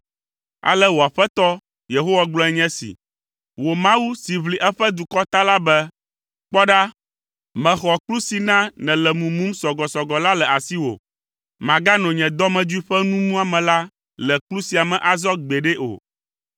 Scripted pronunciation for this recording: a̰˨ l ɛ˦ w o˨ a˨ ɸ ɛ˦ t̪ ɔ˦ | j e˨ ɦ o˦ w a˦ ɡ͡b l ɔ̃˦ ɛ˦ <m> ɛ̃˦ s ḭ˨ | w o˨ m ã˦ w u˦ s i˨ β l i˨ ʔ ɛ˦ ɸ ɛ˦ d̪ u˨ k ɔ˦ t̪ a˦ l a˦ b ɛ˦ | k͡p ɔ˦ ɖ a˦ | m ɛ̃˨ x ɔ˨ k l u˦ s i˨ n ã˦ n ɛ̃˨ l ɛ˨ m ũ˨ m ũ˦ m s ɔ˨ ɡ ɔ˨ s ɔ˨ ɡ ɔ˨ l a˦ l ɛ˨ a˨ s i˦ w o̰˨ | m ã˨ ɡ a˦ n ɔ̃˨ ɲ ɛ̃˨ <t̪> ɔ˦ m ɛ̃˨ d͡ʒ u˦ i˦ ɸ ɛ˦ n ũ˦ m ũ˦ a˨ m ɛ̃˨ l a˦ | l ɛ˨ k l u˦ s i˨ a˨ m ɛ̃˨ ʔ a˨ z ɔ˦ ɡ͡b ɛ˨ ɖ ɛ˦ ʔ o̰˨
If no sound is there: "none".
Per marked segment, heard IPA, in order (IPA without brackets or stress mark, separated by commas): ɲ, d̪